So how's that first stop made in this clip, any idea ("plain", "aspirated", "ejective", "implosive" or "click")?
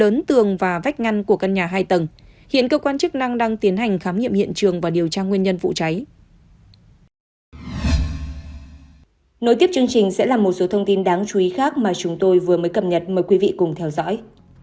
plain